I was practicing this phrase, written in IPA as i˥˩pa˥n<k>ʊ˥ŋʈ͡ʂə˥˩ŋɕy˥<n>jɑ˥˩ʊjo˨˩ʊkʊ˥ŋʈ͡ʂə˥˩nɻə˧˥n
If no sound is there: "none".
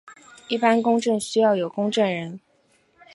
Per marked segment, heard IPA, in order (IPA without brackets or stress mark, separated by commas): k, none